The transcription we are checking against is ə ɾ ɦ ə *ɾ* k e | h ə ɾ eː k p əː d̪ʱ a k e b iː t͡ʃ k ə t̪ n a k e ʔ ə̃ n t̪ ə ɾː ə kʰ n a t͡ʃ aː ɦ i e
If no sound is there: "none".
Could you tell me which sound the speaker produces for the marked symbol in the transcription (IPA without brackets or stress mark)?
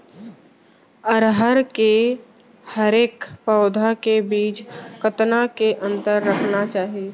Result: ɾ